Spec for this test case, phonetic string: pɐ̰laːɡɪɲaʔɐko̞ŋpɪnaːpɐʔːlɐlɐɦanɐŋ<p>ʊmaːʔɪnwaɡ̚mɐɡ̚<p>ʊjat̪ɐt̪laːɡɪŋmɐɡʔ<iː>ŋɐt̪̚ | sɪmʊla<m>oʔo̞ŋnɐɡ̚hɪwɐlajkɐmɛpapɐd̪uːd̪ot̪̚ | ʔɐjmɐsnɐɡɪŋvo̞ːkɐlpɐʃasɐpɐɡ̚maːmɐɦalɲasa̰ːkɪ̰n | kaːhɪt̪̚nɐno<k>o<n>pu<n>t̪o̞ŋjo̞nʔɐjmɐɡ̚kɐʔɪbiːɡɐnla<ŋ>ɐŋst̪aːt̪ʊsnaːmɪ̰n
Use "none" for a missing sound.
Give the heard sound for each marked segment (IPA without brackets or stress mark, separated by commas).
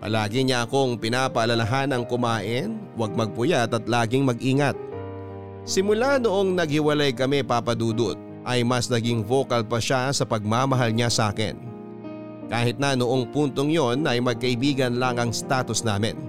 k, p, iː, n, ʔ, ŋ, n, ŋ